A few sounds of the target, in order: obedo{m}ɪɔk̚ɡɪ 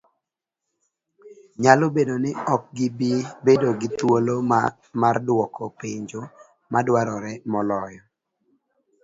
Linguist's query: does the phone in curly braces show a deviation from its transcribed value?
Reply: yes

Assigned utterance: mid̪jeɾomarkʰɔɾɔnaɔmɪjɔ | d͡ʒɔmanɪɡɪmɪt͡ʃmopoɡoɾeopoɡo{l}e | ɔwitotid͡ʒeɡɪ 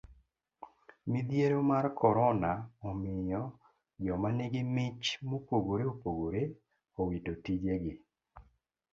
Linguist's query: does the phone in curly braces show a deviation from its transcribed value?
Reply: yes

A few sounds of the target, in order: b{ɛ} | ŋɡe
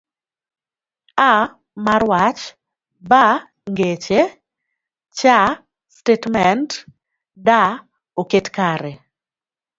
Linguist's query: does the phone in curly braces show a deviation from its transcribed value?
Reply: yes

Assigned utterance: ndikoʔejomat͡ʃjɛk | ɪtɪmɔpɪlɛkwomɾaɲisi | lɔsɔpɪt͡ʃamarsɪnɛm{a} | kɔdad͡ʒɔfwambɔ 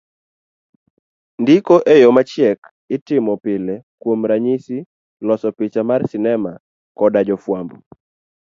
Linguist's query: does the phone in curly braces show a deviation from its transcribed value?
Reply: no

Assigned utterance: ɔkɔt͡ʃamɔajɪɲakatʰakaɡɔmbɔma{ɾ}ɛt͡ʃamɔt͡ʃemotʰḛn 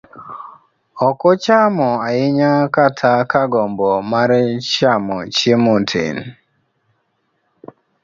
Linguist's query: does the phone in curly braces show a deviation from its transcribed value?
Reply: no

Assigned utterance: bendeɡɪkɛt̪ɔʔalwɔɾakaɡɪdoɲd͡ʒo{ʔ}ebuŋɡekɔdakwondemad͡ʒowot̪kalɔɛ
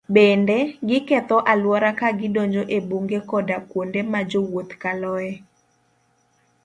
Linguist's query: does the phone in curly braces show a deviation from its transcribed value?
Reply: no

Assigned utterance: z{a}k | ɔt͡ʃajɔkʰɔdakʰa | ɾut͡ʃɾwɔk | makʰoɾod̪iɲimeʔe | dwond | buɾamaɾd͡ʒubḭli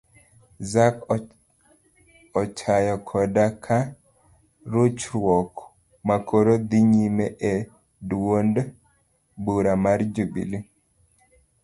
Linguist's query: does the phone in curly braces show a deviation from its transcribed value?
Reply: no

